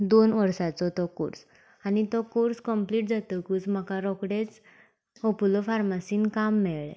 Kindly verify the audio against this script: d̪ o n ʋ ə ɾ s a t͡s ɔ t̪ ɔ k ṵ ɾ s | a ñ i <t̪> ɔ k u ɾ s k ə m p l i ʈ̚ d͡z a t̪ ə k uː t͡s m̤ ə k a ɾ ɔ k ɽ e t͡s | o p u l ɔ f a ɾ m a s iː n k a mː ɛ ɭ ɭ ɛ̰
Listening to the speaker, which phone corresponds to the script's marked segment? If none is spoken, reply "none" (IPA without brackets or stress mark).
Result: t̪